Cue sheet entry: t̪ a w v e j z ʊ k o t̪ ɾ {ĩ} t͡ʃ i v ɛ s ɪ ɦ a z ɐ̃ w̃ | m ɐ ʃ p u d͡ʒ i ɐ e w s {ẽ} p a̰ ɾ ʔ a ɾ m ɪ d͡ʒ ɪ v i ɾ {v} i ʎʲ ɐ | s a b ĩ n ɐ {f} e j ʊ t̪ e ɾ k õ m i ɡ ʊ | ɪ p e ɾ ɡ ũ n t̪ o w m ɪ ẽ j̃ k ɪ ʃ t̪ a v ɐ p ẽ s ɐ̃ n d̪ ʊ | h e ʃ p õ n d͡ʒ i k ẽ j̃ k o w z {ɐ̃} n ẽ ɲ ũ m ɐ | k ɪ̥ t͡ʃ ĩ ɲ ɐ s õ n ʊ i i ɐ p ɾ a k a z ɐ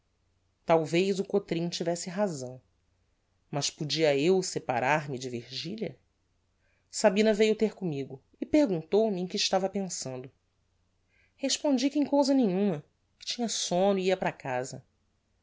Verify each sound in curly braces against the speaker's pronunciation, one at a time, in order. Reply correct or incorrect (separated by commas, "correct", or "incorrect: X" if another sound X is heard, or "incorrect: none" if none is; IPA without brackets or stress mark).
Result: correct, incorrect: e, incorrect: ʒ, incorrect: v, incorrect: ɐ